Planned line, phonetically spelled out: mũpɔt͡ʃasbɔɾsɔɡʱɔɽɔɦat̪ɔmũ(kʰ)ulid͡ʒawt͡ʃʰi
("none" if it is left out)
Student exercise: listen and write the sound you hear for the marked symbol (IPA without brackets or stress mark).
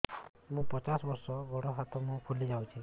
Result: kʰ